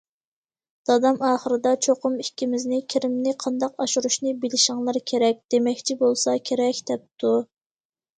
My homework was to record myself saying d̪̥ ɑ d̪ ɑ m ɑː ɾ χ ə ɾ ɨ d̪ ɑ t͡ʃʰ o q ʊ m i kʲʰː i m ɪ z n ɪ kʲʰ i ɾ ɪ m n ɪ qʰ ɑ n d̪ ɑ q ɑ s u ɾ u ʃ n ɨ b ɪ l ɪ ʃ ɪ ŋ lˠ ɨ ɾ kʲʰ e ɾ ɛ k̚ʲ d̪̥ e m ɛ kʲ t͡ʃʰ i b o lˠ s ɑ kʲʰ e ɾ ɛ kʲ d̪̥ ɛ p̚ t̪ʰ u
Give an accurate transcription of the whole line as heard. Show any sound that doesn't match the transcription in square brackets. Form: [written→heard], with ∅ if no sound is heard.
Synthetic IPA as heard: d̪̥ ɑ d̪ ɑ m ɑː [ɾ→∅] χ ə ɾ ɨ d̪ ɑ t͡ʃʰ o q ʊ m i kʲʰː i m ɪ z n ɪ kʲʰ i ɾ ɪ m n ɪ qʰ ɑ n d̪ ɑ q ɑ [s→ʃ] u ɾ u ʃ n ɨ b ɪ l ɪ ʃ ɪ ŋ lˠ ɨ ɾ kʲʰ e ɾ ɛ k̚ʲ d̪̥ e m ɛ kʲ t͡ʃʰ i b o lˠ s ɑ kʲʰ e ɾ ɛ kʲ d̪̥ ɛ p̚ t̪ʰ u